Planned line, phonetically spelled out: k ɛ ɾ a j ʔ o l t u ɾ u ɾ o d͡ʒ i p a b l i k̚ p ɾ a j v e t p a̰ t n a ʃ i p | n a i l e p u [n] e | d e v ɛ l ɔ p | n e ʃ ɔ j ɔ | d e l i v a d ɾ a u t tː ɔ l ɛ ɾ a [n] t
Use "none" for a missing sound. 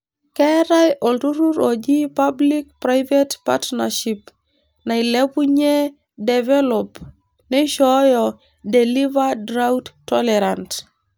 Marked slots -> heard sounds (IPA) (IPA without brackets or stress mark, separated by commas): ɲ, n